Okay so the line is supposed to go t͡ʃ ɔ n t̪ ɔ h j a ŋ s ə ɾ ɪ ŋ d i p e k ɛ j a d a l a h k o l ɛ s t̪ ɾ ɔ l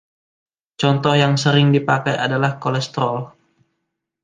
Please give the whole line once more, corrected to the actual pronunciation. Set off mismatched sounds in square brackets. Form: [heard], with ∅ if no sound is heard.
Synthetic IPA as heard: t͡ʃ ɔ n t̪ ɔ h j a ŋ s ə ɾ ɪ ŋ d i p [a] k [a] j a d a l a h k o l ɛ s t̪ ɾ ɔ l